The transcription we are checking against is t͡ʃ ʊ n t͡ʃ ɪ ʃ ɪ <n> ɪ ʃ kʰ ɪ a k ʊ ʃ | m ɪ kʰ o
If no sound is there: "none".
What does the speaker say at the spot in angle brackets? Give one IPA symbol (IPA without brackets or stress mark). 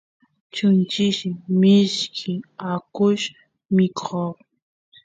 m